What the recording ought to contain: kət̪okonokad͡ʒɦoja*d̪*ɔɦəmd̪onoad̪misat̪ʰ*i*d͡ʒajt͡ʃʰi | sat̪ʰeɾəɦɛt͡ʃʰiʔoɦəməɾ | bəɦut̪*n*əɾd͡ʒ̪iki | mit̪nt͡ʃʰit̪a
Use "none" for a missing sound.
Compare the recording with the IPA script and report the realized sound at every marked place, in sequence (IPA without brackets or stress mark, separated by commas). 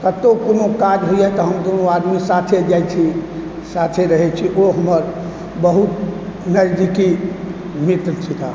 t̪, e, n